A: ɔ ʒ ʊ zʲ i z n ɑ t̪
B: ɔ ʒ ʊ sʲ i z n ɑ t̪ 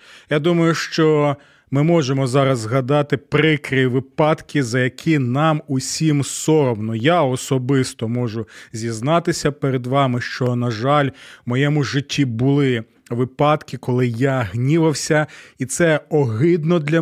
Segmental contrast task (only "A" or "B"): A